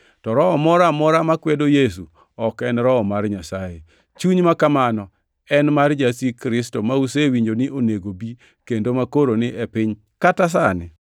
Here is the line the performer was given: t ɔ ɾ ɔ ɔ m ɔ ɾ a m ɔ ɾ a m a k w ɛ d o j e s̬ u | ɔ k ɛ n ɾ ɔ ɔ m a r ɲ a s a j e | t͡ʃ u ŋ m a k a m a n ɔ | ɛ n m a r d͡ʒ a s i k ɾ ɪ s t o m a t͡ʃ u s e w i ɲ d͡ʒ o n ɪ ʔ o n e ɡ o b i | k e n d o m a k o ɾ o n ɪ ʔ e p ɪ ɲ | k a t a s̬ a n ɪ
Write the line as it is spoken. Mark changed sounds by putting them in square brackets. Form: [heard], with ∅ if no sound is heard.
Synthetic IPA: t ɔ ɾ ɔ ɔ m ɔ ɾ a m ɔ ɾ a m a k w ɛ d o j e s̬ u | ɔ k ɛ n ɾ ɔ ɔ m a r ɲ a s a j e | t͡ʃ u [ɲ] m a k a m a n ɔ | ɛ n m a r d͡ʒ a s i k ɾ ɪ s t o m a [∅] u s e w i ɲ d͡ʒ o n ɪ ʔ o n e ɡ o b i | k e n d o m a k o ɾ o n ɪ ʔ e p ɪ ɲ | k a t a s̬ a n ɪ